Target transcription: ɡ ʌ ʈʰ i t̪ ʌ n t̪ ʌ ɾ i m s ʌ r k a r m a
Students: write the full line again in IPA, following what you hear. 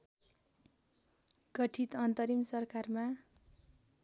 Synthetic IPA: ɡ ʌ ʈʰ i t̪ ʌ n t̪ ʌ ɾ i m s ʌ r k a r m a